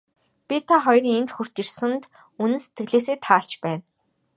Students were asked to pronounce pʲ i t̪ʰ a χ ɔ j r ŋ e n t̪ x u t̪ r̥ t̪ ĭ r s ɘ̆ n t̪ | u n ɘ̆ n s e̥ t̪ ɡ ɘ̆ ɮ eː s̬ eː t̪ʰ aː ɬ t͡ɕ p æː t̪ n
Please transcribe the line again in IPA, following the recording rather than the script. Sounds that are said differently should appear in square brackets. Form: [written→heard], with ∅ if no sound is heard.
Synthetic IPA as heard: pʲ i t̪ʰ a χ ɔ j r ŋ e n t̪ x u [t̪→∅] r̥ t̪ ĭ r s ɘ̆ n t̪ | u n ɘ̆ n s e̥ t̪ ɡ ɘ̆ ɮ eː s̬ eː t̪ʰ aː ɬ t͡ɕ p æː [t̪→∅] n